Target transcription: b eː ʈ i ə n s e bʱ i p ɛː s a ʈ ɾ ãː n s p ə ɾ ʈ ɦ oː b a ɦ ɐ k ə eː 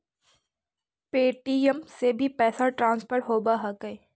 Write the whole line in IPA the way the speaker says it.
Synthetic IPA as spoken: p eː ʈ i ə m s e bʱ i p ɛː s a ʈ ɾ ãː n s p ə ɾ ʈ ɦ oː b a ɦ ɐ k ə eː